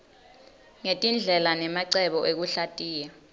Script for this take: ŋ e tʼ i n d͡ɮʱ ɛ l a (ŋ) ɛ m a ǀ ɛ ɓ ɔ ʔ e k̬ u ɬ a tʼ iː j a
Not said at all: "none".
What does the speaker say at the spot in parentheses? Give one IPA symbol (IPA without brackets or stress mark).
n